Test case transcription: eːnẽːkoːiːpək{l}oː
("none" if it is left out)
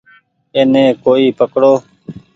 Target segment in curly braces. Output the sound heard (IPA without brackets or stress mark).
ɽ